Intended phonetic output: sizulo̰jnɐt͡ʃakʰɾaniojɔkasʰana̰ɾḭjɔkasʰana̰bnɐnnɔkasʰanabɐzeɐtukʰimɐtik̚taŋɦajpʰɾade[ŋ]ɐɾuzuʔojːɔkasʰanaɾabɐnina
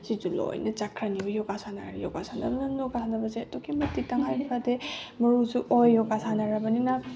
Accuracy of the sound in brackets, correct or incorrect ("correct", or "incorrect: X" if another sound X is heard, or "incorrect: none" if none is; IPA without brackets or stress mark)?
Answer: incorrect: m